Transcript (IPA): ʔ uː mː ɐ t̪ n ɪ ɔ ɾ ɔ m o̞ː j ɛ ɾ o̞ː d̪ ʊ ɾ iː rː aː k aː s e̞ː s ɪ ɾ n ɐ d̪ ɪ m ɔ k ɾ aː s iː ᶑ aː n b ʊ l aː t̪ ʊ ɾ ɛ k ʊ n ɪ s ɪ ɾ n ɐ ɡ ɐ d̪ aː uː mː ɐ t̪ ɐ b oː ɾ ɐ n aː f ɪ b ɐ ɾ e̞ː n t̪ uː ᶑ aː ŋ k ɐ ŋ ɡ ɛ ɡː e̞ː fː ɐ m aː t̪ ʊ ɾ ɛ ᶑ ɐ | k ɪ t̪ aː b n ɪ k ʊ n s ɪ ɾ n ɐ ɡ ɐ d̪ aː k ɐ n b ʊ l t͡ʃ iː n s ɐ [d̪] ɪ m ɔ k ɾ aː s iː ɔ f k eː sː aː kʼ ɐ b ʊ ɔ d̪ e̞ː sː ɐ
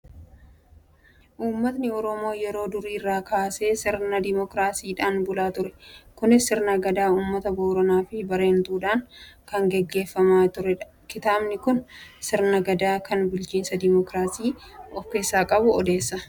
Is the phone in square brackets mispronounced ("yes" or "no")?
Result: no